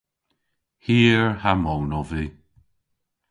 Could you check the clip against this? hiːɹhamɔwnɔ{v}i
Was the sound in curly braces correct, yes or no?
yes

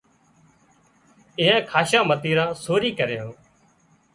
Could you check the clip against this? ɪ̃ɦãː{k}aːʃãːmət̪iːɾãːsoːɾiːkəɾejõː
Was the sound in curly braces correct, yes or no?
no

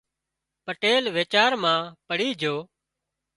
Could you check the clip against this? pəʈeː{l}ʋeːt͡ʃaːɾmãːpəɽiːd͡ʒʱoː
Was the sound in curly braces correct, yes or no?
yes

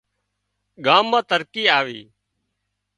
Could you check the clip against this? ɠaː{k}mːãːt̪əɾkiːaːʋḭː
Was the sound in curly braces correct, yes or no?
no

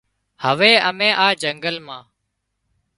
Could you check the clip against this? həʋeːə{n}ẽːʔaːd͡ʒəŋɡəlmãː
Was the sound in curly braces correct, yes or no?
no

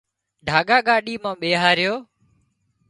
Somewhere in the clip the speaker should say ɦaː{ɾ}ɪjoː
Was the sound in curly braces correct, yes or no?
yes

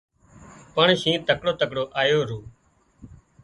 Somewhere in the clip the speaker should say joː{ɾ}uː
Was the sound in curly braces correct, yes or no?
yes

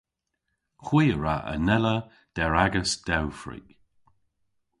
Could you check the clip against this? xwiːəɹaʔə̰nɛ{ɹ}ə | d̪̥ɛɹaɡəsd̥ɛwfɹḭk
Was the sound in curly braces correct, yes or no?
no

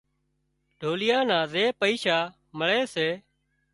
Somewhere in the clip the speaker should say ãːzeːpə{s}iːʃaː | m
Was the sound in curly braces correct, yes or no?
no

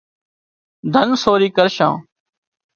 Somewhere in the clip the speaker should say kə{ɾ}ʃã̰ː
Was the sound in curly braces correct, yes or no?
yes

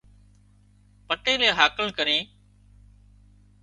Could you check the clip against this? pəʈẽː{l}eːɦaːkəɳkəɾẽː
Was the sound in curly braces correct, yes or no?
yes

